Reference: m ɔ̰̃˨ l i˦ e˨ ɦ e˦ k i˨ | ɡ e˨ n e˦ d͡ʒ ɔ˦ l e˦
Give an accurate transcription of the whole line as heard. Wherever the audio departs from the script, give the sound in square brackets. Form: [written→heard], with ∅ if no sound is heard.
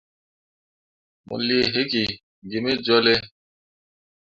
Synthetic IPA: m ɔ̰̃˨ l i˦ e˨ ɦ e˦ k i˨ | ɡ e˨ [n→m] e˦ d͡ʒ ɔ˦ l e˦